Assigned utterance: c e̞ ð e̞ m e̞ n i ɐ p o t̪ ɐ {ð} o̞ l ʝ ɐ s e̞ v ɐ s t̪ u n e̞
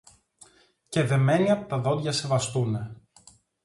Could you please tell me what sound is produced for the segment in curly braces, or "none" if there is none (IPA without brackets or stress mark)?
ð